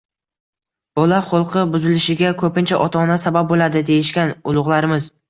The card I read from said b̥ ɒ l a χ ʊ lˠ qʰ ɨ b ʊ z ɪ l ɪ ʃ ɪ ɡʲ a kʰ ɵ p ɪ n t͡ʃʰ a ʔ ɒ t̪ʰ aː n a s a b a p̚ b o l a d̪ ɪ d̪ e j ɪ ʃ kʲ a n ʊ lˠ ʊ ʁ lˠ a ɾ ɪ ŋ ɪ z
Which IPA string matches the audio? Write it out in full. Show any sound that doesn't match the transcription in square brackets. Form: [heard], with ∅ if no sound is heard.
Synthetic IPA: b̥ ɒ l a χ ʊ lˠ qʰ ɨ b ʊ z ɪ l ɪ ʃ ɪ ɡʲ a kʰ ɵ p ɪ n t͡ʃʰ a ʔ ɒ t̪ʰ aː n a s a b a p̚ b o l a d̪ ɪ d̪ e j ɪ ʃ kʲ a n ʊ lˠ ʊ ʁ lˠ a ɾ ɪ [m] ɪ z